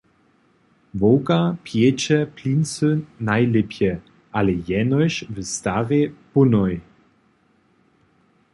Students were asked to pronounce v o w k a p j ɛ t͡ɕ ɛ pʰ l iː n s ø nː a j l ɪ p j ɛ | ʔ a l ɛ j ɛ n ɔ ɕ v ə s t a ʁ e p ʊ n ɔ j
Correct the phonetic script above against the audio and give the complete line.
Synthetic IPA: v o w k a p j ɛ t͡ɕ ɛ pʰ l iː n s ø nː a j l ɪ p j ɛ | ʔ a l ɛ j ɛ n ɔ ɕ v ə s t a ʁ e p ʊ n ɔ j